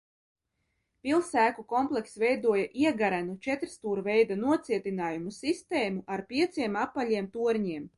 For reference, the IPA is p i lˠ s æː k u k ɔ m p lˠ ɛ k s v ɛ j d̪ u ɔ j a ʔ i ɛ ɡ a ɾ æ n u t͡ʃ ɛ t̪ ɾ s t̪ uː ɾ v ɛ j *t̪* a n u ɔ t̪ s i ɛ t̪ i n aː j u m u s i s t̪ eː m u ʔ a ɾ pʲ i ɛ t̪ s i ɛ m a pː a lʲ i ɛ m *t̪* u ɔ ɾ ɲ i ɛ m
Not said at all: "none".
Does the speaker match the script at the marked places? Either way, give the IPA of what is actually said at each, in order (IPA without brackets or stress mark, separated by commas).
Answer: d̪, t̪